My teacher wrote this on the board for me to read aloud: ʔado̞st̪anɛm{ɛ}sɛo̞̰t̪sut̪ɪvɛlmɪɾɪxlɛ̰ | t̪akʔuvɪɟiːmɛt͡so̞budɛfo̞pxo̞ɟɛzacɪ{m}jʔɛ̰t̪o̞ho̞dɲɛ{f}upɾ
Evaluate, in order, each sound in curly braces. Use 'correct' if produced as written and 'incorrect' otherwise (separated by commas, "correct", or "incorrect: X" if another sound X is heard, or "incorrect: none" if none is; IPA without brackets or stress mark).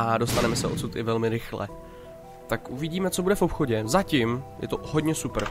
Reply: correct, correct, incorrect: s